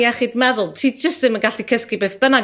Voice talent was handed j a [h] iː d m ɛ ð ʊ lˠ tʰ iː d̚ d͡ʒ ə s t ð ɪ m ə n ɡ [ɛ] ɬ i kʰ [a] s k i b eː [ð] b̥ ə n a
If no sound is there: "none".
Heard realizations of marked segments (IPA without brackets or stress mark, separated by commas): χ, a, ə, θ